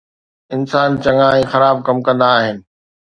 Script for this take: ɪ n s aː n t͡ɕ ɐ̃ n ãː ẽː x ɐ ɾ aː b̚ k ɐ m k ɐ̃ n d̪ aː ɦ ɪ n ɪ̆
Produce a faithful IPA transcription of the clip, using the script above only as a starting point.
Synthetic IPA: ɪ n s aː n t͡ɕ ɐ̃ ŋ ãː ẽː x ɐ ɾ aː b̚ k ɐ m k ɐ̃ n d̪ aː ɦ ɪ n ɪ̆